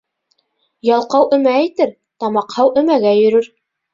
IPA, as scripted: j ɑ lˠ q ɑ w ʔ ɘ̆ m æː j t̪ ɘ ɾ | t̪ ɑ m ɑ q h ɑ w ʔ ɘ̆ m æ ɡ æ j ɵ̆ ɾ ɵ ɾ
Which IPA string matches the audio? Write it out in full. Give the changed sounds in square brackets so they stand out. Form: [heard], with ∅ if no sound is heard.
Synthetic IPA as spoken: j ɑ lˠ q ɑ w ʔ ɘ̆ m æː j t̪ ɘ ɾ | t̪ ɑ m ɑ q h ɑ w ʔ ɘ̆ m æ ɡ æ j ɵ̆ ɾ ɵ ɾ